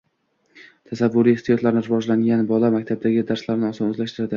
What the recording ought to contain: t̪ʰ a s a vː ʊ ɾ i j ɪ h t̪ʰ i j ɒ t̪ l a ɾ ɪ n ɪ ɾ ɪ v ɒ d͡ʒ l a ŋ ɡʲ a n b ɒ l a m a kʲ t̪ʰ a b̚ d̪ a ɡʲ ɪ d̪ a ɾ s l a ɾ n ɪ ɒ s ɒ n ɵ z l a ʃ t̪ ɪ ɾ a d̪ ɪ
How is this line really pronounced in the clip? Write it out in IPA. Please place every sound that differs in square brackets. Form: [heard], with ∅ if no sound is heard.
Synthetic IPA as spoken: t̪ʰ a s a vː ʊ ɾ i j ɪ h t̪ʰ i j ɒ t̪ l a ɾ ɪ n ɪ ɾ ɪ v ɒ d͡ʒ l a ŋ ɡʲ a n b ɒ l a m a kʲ t̪ʰ a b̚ d̪ a ɡʲ ɪ d̪ a ɾ s l a ɾ n ɪ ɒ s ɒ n ɵ z l a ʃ t̪ ɪ ɾ a d̪ ɪ